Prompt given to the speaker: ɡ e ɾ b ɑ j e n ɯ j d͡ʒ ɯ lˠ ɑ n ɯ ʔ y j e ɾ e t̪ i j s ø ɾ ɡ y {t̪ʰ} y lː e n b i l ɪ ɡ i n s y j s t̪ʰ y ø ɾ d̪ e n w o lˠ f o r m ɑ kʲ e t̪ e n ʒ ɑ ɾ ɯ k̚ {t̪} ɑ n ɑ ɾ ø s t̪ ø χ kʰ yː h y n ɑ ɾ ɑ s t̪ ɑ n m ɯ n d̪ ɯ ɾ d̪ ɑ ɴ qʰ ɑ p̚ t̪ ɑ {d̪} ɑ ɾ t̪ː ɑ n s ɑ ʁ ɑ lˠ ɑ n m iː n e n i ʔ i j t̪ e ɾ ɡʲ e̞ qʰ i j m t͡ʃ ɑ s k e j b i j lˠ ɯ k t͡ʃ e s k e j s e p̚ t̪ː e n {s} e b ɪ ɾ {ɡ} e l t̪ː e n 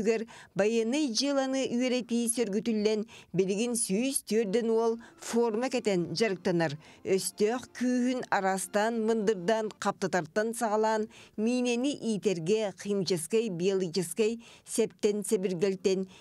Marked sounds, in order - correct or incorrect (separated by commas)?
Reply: incorrect, correct, incorrect, correct, correct